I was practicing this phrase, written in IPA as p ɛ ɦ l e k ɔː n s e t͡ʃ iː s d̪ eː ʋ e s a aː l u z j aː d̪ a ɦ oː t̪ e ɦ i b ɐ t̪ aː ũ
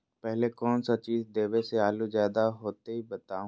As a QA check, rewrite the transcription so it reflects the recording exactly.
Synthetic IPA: p ɛ ɦ l e k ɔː n s a t͡ʃ iː z d̪ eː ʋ e s e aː l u z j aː d̪ a ɦ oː t̪ e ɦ i b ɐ t̪ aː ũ